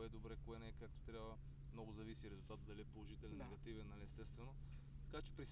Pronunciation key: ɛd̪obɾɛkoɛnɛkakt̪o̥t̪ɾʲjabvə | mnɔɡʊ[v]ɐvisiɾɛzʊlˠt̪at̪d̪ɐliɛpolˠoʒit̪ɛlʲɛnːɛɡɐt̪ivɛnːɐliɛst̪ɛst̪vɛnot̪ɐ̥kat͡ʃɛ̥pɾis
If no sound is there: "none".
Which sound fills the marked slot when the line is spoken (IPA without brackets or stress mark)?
z